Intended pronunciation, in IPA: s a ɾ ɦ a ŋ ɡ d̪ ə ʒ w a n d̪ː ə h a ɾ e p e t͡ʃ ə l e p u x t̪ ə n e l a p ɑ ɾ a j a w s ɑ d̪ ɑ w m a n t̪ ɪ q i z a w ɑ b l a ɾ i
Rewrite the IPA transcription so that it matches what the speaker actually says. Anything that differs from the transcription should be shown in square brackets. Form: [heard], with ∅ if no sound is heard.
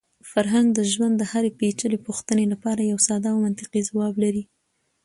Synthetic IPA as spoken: [f] a ɾ ɦ a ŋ ɡ d̪ ə ʒ w a n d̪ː ə h a ɾ e p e t͡ʃ ə l e p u x t̪ ə n e l a p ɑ ɾ a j a w s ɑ d̪ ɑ w m a n t̪ ɪ q i z a w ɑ b l a ɾ i